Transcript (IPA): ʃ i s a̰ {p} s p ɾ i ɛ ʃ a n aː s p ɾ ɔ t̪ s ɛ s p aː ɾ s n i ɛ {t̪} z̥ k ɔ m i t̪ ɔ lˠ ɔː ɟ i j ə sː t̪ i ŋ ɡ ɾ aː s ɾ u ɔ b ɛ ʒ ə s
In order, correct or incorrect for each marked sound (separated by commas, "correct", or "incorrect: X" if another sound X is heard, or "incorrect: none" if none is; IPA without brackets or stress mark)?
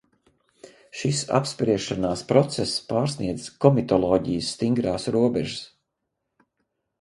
correct, incorrect: d̪